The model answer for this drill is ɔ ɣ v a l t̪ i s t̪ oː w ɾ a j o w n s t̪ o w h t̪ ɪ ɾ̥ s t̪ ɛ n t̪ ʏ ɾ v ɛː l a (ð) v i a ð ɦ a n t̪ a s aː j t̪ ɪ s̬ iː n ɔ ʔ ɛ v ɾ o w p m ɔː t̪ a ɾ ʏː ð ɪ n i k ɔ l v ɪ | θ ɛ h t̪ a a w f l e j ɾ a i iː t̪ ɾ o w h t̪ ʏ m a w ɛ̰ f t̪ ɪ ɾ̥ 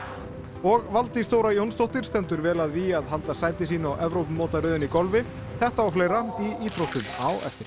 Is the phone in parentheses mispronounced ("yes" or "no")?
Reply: no